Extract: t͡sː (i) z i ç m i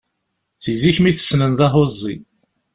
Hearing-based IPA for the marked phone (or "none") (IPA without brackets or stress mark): i